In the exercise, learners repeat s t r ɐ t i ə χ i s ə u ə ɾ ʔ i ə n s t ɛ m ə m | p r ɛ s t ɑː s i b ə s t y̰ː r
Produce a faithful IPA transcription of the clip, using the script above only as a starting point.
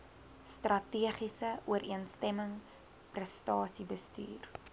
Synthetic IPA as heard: s t r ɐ t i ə χ i s ə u ə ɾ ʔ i ə n s t ɛ m ə ŋ | p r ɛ s t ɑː s i b ə s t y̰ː r